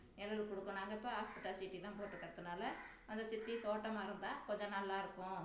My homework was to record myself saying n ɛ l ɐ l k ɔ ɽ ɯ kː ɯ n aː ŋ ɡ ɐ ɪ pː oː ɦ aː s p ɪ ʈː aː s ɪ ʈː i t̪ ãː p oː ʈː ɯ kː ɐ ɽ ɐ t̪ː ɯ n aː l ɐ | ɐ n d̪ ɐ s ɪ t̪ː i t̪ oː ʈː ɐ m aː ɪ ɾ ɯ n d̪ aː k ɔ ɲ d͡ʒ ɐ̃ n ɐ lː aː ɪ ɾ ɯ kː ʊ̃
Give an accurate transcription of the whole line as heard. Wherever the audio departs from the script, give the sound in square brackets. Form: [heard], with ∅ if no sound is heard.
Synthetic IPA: n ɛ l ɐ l k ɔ ɽ ɯ kː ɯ n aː ŋ ɡ ɐ ɪ pː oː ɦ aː s p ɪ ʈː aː s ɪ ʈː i t̪ ãː p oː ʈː ɯ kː ɐ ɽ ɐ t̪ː ɯ n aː l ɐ | ɐ n d̪ ɐ s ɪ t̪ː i t̪ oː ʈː ɐ m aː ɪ ɾ ɯ n d̪ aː k ɔ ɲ d͡ʒ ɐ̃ n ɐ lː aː ɪ ɾ ɯ kː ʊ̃